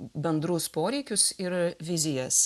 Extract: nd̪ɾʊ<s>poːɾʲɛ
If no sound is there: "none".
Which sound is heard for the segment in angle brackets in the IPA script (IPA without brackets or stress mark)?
s